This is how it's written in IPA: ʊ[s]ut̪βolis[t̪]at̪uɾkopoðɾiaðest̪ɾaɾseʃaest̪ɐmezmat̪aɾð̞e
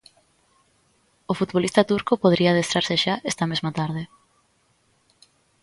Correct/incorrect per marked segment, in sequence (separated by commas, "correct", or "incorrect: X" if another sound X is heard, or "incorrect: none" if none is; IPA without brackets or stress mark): incorrect: f, correct